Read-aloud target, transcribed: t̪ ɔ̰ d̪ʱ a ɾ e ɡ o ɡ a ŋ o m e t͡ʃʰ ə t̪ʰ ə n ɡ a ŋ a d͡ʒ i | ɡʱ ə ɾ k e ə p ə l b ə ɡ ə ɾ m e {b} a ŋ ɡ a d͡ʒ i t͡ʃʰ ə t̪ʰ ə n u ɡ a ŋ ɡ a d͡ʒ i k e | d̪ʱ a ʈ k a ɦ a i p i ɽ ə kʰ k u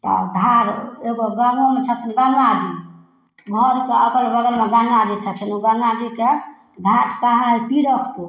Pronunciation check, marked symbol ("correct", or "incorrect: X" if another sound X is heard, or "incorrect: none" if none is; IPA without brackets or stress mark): incorrect: ɡ